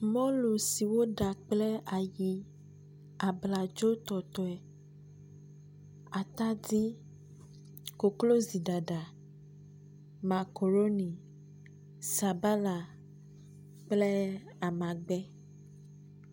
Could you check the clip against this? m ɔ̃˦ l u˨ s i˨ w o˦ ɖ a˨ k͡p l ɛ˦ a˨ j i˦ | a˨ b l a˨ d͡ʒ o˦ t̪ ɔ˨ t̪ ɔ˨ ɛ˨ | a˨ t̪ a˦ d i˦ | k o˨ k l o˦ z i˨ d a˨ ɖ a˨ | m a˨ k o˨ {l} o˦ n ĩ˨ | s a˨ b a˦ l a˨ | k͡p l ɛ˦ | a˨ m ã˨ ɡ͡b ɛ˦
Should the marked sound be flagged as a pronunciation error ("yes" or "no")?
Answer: yes